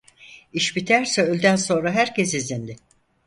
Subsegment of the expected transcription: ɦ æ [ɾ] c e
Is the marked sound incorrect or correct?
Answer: correct